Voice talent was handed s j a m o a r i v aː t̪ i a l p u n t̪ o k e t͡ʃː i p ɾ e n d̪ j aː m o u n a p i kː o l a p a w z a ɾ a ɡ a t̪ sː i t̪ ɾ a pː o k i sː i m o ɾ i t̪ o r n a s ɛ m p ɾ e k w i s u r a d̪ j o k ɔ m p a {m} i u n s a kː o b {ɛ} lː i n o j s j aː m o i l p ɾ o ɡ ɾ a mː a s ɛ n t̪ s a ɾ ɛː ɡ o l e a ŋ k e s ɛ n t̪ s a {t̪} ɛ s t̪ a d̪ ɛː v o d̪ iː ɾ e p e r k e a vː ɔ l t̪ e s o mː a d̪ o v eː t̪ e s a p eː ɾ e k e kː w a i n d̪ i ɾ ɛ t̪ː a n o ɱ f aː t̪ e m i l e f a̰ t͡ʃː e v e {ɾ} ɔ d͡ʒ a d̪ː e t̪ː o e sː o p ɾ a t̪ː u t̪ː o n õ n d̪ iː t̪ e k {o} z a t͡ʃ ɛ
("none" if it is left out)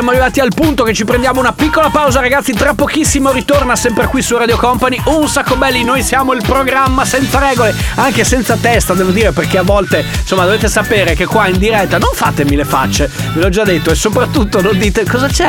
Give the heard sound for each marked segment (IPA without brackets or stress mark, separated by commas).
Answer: n, ɛ, t̪, l, ɔ